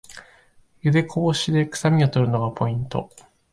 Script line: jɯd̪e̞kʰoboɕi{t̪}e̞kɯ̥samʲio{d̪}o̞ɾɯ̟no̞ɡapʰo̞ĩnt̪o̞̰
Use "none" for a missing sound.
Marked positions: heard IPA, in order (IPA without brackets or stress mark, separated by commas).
d̪, t̪